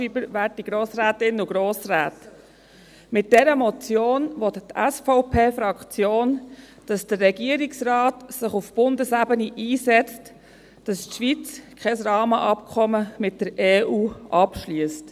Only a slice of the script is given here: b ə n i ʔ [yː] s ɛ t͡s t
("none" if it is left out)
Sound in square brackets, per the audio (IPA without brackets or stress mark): iː